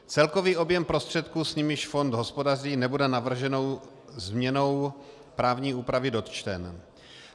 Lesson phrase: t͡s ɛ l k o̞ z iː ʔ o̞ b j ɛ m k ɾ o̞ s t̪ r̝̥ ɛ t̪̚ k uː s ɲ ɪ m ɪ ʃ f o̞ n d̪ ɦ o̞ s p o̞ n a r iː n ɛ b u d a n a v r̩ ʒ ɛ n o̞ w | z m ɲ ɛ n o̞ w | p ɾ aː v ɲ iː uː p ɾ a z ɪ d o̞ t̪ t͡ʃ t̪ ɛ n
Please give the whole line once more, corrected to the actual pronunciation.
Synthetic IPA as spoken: t͡s ɛ l k o̞ v iː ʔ o̞ b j ɛ m p ɾ o̞ s t̪ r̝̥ ɛ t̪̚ k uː s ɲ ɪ m ɪ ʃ f o̞ n d̪ ɦ o̞ s p o̞ d a r iː n ɛ b u d ɛ n a v r̩ ʒ ɛ n o̞ w | z m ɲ ɛ n o̞ w | p ɾ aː v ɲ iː uː p ɾ a v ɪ d o̞ t̪ t͡ʃ t̪ ɛ n